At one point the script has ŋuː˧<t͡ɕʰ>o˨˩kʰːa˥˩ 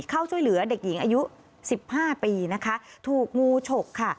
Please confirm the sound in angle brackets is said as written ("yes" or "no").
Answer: yes